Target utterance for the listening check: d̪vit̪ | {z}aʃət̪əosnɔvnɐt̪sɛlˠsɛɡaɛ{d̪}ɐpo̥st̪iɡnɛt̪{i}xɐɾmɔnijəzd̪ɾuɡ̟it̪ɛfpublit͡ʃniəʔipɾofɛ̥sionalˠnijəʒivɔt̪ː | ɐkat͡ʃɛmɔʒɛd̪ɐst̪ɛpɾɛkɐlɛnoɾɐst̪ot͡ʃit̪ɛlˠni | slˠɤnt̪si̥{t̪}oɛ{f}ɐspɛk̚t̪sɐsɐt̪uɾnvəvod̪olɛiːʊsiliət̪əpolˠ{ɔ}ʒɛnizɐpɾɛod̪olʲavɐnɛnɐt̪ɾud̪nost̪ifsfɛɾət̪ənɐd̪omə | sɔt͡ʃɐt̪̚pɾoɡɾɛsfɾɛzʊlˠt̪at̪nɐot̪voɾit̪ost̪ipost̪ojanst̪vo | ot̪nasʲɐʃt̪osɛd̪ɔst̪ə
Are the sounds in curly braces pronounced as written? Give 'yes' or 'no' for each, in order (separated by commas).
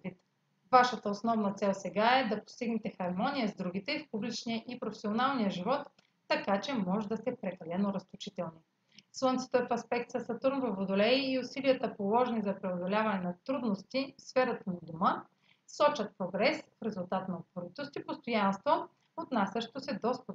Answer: no, yes, no, yes, yes, yes